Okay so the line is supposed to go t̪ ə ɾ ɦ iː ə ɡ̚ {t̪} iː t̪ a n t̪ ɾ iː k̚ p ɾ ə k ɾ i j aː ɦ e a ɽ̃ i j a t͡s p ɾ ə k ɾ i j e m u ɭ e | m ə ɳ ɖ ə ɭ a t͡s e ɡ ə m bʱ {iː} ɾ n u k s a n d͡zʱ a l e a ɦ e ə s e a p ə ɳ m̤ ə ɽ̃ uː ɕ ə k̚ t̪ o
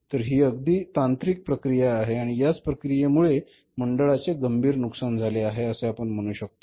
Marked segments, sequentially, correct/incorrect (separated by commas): incorrect, correct